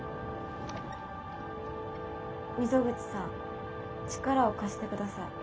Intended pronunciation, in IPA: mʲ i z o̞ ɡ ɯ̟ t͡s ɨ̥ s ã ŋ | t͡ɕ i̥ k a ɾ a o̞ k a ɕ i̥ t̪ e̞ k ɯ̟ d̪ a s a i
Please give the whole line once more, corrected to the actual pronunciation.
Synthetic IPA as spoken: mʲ i z o̞ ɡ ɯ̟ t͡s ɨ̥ s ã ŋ | t͡ɕ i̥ k a ɾ a o̞ k a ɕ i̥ t̪ e̞ k ɯ̟ d̪ a s a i